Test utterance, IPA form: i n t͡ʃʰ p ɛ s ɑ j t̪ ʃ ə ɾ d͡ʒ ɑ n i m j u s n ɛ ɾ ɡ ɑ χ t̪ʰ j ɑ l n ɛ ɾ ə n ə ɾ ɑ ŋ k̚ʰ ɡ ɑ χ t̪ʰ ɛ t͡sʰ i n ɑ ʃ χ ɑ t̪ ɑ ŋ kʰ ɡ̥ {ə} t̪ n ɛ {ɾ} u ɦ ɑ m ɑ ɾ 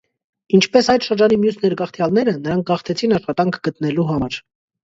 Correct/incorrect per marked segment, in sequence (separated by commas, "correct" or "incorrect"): correct, incorrect